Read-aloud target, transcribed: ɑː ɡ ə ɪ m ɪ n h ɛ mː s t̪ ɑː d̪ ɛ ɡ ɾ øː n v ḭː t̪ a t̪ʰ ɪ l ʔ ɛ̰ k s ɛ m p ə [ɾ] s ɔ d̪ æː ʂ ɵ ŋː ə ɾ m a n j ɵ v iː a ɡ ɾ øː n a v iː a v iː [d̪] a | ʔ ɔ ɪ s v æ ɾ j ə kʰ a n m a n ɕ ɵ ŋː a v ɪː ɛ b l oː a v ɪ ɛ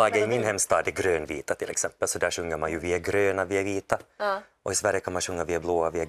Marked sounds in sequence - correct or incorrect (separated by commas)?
incorrect, incorrect